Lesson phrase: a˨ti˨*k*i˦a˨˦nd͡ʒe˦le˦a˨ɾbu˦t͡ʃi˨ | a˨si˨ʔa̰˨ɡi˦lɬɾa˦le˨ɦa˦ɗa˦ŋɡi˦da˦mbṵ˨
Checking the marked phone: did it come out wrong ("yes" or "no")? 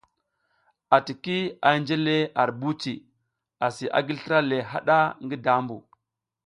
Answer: no